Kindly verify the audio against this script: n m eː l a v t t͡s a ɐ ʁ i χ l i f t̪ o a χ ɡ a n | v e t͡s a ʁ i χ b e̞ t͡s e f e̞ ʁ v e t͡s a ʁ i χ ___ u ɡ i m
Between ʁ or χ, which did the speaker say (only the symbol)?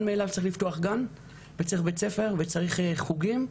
χ